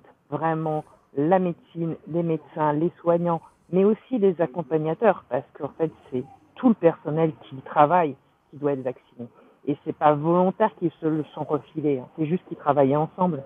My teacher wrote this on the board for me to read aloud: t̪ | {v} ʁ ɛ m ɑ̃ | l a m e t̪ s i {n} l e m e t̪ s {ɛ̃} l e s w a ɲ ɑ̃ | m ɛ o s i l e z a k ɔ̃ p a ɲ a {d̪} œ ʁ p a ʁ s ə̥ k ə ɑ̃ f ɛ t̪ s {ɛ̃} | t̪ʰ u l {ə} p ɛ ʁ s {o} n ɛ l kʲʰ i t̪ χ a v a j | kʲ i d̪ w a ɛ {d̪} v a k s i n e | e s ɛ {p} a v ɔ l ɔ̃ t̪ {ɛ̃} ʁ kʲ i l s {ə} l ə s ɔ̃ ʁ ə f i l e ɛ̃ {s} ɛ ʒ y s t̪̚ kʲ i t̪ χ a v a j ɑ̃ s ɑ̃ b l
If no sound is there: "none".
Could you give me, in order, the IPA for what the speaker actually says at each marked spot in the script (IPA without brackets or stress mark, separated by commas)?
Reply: v, n, ɛ̃, t̪, ɛ, ə, ɔ, t̪, p, ɛ, ə, s